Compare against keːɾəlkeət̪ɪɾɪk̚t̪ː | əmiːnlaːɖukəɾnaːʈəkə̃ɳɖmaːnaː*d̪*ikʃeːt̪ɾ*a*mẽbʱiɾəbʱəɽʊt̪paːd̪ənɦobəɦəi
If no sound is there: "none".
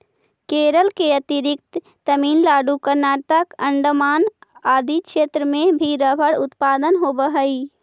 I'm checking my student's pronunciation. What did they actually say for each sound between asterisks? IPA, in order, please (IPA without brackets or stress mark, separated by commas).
d̪, ə